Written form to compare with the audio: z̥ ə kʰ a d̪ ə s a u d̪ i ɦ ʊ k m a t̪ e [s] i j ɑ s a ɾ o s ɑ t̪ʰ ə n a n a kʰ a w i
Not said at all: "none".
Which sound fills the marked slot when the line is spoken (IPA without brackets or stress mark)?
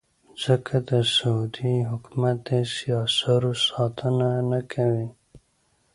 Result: s